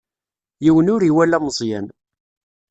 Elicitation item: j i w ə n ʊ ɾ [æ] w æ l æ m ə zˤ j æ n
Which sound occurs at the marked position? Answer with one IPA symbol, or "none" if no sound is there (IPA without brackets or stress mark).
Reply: i